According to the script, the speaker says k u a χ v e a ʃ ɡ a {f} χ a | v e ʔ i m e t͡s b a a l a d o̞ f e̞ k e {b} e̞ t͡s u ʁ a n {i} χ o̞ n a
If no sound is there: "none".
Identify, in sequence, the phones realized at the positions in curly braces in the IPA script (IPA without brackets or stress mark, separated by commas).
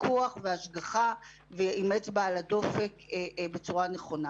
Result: none, b, e